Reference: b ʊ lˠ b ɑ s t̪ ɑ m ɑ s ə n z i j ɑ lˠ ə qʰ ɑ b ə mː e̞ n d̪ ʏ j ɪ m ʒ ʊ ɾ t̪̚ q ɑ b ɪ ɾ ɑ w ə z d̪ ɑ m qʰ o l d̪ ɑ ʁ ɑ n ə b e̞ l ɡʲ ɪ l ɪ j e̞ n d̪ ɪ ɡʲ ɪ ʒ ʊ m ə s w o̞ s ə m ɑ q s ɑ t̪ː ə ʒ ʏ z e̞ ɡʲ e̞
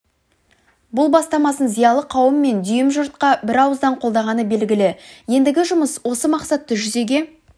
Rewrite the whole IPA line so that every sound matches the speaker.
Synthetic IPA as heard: b ʊ lˠ b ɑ s t̪ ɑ m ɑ s ə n z i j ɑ lˠ ə qʰ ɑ w ə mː e̞ n d̪ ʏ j ɪ m ʒ ʊ ɾ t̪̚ q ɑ b ɪ ɾ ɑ w ə z d̪ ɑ ɴ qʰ o l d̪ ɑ ʁ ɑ n ə b e̞ l ɡʲ ɪ l ɪ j e̞ n d̪ ɪ ɡʲ ɪ ʒ ʊ m ə s w o̞ s ə m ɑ q s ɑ t̪ː ə ʒ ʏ z e̞ ɡʲ e̞